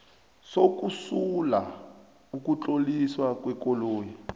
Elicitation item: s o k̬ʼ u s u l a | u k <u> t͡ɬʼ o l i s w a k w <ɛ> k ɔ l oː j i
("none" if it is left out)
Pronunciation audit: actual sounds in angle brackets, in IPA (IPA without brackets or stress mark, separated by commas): u, ɛ